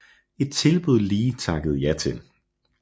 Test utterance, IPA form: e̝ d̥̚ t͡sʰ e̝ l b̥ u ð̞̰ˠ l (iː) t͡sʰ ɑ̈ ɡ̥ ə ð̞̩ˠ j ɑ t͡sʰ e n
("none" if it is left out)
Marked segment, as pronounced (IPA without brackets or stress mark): iː